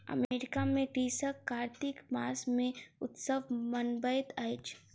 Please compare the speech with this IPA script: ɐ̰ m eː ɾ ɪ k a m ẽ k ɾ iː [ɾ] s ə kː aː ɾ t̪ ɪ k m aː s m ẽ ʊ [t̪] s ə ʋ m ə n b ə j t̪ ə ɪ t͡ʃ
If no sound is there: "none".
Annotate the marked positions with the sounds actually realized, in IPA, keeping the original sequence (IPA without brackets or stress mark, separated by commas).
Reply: none, t̪